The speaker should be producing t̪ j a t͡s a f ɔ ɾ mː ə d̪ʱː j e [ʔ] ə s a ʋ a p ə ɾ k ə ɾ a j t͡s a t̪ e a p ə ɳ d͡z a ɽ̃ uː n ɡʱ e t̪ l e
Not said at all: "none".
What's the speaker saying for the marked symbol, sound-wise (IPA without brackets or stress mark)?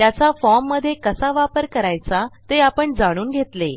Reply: k